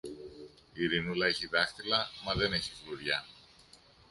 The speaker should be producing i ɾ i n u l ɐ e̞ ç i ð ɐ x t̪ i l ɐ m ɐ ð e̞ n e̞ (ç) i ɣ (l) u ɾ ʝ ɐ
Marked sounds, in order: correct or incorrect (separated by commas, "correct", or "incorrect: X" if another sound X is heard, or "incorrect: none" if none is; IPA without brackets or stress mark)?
correct, correct